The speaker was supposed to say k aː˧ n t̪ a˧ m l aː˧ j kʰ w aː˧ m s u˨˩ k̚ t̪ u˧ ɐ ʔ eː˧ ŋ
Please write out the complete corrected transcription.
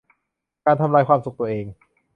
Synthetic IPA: k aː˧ n t̪ʰ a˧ m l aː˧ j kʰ w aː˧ m s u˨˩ k̚ t̪ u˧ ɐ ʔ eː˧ ŋ